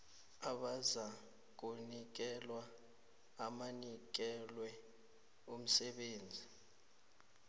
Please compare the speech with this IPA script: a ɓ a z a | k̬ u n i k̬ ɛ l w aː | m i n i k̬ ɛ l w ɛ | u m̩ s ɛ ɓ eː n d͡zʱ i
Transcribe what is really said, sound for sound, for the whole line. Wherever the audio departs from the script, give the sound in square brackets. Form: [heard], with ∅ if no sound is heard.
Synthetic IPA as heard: a ɓ a z a | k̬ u n i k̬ ɛ l w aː | m [a] n i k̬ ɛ l w ɛ | u m̩ s ɛ ɓ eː n d͡zʱ i